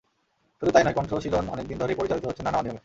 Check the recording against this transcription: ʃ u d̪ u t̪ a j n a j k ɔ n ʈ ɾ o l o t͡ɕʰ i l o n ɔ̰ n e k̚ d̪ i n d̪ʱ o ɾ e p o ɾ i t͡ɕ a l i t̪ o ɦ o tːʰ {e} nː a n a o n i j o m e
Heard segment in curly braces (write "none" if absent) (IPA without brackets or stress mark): e